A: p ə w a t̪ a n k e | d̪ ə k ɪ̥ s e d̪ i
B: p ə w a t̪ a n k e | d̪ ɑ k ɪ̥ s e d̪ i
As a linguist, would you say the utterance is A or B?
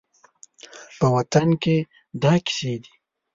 B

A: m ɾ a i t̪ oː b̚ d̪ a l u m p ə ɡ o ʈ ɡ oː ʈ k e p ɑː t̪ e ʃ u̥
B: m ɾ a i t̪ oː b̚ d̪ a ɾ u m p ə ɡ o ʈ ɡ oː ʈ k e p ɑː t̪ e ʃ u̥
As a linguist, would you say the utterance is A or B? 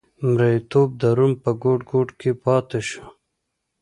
B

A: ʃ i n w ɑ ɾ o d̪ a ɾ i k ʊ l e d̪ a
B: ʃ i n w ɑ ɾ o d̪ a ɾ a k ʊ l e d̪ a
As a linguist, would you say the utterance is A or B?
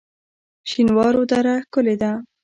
B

